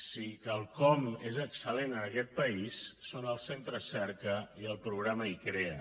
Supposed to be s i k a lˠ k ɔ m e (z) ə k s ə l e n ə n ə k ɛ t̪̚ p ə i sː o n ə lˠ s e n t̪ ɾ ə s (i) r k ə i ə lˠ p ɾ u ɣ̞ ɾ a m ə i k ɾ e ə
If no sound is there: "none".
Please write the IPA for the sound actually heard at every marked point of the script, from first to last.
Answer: z, ɛ

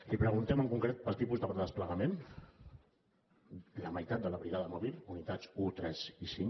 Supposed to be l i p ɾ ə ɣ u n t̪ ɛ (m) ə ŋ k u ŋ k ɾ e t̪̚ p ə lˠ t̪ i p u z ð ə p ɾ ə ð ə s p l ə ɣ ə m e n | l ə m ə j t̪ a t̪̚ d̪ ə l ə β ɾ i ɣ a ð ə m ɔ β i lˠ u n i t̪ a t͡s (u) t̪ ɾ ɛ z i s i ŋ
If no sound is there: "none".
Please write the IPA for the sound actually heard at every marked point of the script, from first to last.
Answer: m, u

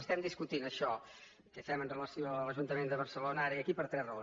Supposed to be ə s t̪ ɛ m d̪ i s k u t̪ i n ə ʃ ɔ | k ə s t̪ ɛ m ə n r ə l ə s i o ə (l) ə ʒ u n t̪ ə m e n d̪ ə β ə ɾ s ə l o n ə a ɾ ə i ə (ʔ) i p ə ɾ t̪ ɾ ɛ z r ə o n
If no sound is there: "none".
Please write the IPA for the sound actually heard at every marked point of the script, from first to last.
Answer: l, k

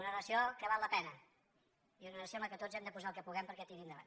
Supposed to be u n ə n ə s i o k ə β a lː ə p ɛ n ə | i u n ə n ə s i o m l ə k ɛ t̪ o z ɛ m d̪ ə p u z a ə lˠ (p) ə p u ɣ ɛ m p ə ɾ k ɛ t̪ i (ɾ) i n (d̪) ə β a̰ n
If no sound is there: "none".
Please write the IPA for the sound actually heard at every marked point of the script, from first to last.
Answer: k, ɾ, d̪

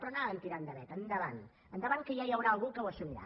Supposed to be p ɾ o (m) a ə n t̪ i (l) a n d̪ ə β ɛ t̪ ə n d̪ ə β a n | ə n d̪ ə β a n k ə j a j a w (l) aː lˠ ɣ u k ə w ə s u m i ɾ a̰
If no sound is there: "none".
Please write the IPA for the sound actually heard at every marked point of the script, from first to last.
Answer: n, ɾ, ɾ

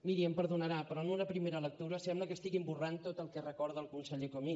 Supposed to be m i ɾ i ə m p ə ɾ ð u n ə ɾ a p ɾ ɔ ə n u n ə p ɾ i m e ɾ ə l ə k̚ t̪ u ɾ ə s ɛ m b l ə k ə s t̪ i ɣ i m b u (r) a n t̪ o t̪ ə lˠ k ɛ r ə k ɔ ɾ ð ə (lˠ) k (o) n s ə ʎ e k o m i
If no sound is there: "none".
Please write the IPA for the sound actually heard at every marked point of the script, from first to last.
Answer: r, lˠ, u

